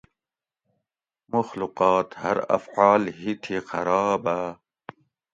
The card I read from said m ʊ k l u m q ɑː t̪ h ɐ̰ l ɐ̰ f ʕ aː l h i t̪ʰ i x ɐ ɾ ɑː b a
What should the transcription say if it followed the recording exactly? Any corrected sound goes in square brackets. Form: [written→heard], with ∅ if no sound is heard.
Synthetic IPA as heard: m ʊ [k→x] l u [m→∅] q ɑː t̪ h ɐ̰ [l→ɾ] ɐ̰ f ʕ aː l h i t̪ʰ i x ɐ ɾ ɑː b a

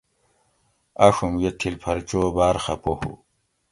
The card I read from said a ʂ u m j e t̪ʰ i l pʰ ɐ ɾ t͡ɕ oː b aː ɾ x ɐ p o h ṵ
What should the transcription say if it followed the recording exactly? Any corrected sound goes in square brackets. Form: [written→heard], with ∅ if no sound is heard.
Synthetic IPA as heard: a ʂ u m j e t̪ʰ i l pʰ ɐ ɾ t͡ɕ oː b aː ɾ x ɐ p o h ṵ

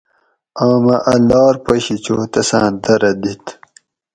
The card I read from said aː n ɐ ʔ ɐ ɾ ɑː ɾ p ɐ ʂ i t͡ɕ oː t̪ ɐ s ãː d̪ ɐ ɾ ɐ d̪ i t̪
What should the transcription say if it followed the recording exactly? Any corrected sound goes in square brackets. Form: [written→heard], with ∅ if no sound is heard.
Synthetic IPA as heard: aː [n→m] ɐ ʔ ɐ [ɾ→l] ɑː ɾ p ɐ [ʂ→ɕ] i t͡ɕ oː t̪ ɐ s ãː d̪ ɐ ɾ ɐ d̪ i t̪

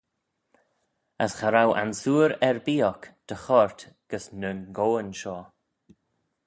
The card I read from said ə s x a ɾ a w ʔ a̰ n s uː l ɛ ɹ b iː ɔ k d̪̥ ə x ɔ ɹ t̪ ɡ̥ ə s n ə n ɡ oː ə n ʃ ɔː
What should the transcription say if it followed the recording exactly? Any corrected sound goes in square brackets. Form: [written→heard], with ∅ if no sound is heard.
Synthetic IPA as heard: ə s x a ɾ a w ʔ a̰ n s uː [l→ɾ] ɛ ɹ b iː ɔ k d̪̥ ə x ɔ ɹ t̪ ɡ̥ ə s n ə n ɡ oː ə n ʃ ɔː

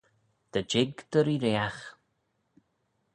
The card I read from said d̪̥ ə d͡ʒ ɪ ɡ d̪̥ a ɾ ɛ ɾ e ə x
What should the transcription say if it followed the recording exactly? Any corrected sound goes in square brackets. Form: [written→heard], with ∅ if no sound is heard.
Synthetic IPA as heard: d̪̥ ə d͡ʒ ɪ ɡ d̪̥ [a→ə] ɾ [ɛ→i] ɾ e [ə→a] x

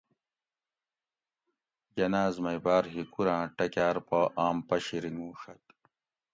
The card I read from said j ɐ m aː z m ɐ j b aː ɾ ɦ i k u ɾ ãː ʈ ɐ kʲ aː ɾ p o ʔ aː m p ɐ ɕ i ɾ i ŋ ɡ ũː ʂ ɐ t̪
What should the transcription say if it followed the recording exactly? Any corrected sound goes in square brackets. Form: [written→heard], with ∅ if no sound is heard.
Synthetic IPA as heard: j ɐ [m→n] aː z m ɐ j b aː ɾ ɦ i k u ɾ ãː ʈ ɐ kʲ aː ɾ p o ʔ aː m p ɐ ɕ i ɾ i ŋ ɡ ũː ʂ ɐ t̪

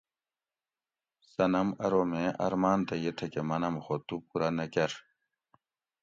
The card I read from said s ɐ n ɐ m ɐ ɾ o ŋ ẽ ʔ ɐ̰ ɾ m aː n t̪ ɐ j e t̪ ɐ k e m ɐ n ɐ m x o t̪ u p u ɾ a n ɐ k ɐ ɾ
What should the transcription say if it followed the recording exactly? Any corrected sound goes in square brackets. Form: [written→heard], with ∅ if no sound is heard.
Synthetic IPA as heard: s ɐ n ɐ m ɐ ɾ o [ŋ→m] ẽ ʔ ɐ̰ ɾ m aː n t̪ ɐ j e [t̪→t̪ʰ] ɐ k e m ɐ n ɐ m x o t̪ u p u ɾ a n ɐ k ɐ ɾ

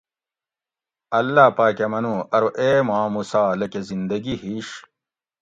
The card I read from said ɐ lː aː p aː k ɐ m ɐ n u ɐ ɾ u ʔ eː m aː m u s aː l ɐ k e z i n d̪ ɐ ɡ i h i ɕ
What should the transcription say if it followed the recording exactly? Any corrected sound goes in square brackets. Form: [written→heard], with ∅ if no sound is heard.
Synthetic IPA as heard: ɐ lː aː p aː k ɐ m ɐ n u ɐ ɾ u ʔ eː m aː m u s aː l ɐ k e z i n d̪ ɐ ɡ i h i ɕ

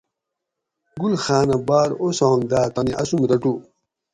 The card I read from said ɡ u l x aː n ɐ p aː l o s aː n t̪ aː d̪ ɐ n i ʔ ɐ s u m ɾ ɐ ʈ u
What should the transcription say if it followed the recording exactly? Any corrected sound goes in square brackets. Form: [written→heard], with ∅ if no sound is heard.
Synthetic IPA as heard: ɡ u l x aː n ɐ [p→b] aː [l→ɾ] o s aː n [t̪→d̪] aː [d̪→t̪] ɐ n i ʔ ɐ s u m ɾ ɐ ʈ u

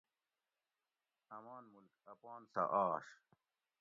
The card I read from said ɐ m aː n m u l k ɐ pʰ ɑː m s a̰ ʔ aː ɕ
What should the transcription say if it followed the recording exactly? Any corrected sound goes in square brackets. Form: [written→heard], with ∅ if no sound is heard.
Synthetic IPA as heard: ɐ m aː n m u l k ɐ [pʰ→p] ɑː [m→n] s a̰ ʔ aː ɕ

